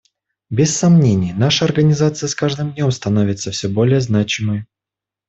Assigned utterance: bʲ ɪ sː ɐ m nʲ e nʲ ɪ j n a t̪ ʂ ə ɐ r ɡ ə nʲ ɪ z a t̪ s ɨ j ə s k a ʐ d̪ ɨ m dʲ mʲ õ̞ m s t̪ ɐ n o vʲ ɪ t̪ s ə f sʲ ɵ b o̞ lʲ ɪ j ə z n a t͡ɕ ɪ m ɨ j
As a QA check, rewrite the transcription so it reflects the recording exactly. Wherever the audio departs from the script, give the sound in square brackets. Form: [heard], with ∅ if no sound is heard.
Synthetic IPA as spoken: bʲ ɪ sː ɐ m nʲ e nʲ ɪ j n a [∅] ʂ ə ɐ r ɡ ə nʲ ɪ z a t̪ s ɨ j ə s k a ʐ d̪ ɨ m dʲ [nʲ] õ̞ m s t̪ ɐ n o vʲ ɪ t̪ s ə f sʲ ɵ b o̞ lʲ ɪ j ə z n a t͡ɕ ɪ m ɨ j